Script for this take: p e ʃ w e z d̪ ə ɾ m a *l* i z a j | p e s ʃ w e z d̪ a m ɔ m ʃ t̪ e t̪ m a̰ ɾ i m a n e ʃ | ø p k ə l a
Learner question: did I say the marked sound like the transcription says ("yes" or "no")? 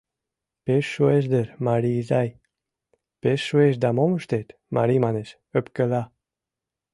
no